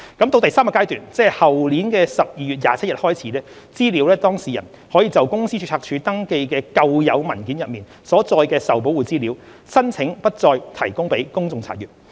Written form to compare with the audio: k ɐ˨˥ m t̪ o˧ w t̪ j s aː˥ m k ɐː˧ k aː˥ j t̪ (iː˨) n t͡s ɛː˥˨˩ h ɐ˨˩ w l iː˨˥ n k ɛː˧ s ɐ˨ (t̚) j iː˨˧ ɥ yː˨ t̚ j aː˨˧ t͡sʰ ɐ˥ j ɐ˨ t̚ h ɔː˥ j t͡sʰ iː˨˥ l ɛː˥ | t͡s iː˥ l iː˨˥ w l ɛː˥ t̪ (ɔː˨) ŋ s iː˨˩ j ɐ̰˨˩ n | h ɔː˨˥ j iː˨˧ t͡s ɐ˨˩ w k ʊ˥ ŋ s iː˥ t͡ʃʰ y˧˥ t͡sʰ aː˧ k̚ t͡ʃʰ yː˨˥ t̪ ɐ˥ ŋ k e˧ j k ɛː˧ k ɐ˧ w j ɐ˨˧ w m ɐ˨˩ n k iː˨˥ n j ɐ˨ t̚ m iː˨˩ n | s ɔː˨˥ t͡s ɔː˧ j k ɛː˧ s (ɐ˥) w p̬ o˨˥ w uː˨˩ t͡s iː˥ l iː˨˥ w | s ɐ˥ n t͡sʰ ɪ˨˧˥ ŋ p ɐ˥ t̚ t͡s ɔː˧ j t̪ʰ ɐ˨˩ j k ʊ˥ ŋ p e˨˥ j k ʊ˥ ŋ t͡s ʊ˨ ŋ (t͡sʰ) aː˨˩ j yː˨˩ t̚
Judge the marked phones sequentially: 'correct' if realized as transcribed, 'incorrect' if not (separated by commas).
incorrect, incorrect, incorrect, incorrect, correct